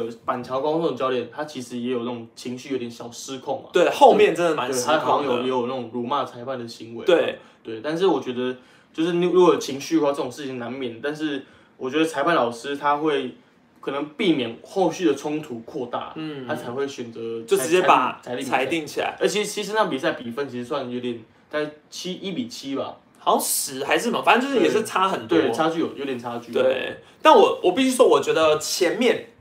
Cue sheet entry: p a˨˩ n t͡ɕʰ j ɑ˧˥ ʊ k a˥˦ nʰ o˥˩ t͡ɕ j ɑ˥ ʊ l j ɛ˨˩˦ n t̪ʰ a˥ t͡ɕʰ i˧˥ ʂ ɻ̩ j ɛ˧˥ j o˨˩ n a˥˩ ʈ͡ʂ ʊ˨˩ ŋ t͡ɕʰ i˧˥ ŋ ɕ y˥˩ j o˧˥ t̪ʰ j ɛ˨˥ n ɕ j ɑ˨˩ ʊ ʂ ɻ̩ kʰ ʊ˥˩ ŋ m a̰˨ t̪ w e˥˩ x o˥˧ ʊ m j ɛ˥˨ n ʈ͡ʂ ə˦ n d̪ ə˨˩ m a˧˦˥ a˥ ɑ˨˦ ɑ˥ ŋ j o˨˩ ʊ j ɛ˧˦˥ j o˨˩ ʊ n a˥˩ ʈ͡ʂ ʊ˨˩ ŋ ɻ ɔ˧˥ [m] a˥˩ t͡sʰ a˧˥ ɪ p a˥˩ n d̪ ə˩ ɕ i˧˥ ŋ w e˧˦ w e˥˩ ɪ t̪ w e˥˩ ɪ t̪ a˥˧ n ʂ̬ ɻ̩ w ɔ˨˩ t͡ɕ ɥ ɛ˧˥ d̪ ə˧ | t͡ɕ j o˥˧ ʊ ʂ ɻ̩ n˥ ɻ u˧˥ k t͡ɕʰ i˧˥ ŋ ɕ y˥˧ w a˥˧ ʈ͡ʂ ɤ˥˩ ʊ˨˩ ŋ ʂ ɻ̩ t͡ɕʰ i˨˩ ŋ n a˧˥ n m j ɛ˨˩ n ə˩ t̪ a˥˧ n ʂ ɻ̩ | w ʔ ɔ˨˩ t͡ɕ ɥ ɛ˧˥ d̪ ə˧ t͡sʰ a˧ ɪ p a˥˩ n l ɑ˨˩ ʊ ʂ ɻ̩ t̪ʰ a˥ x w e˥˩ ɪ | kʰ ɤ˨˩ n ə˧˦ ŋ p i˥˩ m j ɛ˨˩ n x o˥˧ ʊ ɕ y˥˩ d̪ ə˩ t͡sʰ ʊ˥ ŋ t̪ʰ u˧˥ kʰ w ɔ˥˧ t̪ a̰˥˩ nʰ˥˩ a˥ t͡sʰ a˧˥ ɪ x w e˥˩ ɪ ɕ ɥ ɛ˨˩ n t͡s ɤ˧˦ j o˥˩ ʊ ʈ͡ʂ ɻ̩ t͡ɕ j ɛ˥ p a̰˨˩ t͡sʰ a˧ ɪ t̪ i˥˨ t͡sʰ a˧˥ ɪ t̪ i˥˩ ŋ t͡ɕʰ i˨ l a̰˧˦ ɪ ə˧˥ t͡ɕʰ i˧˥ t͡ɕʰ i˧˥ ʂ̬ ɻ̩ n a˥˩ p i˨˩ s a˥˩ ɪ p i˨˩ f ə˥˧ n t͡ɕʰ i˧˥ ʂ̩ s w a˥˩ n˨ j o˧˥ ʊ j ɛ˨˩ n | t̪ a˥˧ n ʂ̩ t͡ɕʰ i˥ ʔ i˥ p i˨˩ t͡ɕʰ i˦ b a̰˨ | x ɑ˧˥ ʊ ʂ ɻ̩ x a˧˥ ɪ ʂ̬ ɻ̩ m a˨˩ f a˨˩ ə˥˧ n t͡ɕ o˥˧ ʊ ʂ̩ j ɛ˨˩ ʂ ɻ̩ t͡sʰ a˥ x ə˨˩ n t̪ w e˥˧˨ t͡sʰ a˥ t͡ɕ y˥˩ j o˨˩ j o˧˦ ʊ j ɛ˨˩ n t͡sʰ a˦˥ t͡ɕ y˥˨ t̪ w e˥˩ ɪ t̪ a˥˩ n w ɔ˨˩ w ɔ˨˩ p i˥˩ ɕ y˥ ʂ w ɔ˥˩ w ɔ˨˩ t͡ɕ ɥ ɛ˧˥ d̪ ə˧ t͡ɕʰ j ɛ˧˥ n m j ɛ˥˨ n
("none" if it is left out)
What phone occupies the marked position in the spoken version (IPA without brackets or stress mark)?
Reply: m